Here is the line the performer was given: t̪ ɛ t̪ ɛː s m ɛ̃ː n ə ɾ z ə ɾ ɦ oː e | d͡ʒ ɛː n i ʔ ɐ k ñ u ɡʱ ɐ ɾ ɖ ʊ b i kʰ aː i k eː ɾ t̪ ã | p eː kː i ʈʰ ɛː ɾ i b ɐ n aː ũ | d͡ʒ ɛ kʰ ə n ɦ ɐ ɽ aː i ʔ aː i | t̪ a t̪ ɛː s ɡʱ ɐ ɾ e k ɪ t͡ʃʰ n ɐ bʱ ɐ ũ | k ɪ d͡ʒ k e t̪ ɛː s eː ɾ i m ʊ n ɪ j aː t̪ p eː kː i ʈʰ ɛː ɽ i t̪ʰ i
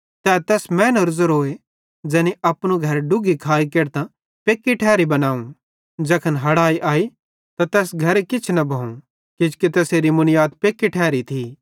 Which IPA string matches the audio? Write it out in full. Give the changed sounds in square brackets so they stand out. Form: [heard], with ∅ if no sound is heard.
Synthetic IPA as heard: t̪ ɛ t̪ ɛː s m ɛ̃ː n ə ɾ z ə ɾ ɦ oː e | d͡ʒ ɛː n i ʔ ɐ [p] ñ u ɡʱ ɐ ɾ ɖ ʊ [ɡ] i kʰ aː i k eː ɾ t̪ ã | p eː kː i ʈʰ ɛː ɾ i b ɐ n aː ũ | d͡ʒ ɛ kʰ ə n ɦ ɐ ɽ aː i ʔ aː i | t̪ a t̪ ɛː s ɡʱ ɐ ɾ e k ɪ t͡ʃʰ n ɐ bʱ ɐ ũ | k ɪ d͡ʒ k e t̪ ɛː s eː ɾ i m ʊ n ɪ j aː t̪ p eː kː i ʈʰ ɛː [ɾ] i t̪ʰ i